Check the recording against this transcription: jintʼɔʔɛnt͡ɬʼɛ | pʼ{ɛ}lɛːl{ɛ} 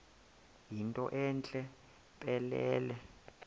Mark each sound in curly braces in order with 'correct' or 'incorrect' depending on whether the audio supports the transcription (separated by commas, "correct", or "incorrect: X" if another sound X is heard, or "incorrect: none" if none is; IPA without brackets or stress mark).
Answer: correct, correct